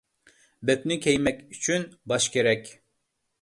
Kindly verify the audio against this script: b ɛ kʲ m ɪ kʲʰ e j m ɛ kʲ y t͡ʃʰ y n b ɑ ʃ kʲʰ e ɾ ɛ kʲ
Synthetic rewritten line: b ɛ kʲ n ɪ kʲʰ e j m ɛ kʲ y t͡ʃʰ y n b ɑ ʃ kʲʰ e ɾ ɛ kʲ